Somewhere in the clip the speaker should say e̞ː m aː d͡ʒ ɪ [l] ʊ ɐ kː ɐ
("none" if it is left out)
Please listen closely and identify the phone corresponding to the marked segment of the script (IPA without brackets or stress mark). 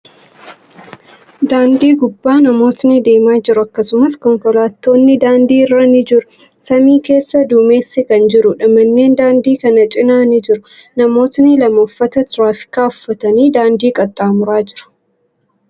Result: ɾ